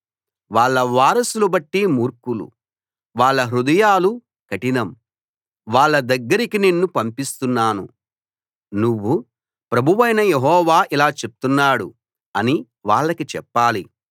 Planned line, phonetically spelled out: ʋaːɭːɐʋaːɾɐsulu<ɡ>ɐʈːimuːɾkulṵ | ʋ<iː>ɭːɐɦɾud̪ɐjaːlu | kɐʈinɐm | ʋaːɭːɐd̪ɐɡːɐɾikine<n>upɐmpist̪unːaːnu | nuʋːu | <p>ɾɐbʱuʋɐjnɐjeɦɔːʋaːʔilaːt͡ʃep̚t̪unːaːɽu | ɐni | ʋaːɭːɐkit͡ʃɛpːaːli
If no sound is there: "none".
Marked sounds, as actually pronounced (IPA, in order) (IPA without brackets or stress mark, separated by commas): b, aː, nː, p